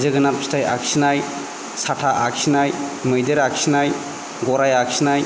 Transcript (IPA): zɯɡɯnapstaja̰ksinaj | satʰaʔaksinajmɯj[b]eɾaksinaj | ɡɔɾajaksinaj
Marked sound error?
yes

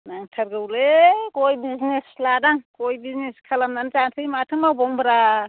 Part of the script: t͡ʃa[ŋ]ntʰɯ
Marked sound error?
yes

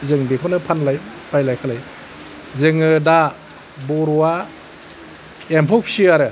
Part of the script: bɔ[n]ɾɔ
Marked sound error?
yes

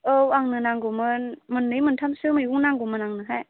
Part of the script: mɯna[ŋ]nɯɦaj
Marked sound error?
no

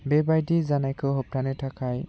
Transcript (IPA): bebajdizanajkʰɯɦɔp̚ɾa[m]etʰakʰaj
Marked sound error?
yes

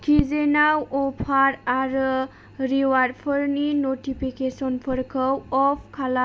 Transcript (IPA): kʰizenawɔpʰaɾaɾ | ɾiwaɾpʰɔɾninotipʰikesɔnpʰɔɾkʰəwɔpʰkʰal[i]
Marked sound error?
yes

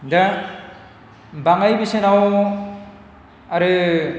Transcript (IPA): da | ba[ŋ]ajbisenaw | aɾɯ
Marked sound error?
no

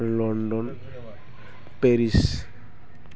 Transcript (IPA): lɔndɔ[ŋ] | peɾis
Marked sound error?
yes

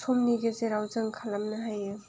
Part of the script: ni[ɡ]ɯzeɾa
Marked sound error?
no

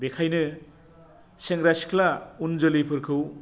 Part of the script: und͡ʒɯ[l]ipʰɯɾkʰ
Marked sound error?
no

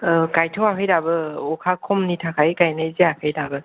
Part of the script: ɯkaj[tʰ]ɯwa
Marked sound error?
no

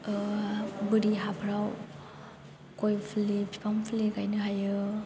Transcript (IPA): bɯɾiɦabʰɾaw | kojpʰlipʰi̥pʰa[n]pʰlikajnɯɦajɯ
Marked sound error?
yes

